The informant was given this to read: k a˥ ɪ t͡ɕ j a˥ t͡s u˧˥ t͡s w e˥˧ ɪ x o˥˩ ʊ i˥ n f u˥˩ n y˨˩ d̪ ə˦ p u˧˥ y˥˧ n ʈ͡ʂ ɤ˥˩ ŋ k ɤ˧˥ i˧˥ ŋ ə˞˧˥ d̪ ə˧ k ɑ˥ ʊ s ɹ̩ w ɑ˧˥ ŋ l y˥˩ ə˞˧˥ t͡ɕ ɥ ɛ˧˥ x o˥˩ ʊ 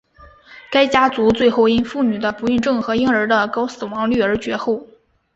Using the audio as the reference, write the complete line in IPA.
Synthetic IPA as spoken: k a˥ ɪ t͡ɕ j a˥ t͡s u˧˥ t͡s w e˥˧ ɪ x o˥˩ ʊ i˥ n f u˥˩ n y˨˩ d̪ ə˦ p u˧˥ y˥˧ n ʈ͡ʂ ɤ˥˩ ŋ x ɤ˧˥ i˥ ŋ ə˞˧˥ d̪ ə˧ k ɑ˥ ʊ s ɹ̩ w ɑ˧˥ ŋ l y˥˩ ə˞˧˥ t͡ɕ ɥ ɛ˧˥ x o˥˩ ʊ